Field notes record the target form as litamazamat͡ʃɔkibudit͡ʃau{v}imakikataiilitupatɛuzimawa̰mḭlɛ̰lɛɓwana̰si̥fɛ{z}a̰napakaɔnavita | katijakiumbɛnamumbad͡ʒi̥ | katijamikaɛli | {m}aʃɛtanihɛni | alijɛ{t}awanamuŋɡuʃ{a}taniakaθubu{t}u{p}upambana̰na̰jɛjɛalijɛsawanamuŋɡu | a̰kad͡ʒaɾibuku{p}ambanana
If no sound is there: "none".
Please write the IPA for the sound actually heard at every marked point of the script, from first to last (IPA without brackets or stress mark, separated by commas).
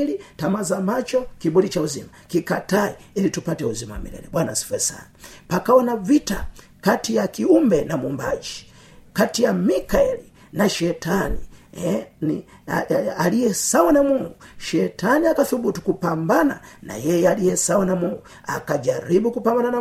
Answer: z, s, n, s, ɛ, t, k, p